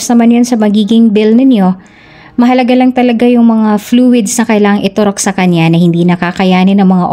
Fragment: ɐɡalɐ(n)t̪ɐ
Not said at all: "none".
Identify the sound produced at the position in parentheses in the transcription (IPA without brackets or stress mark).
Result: ŋ